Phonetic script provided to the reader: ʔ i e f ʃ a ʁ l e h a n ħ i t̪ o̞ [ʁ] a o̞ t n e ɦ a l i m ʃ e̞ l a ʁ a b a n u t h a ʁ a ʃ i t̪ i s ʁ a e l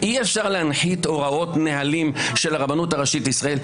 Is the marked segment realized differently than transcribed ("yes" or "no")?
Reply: no